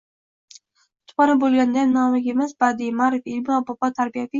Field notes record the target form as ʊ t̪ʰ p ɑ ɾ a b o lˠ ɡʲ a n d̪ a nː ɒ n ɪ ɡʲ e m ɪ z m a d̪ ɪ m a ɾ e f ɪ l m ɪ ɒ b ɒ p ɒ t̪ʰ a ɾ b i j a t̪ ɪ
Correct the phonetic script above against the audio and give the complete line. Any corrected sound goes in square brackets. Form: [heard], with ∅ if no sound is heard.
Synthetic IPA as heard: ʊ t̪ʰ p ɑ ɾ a b o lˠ ɡʲ a n d̪ a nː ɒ [m] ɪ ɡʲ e m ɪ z [b] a d̪ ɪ m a ɾ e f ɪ l m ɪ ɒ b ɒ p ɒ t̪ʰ a ɾ b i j a t̪ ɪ